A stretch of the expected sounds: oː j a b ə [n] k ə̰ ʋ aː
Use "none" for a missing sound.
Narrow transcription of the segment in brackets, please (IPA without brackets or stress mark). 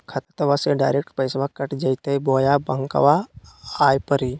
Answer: ŋ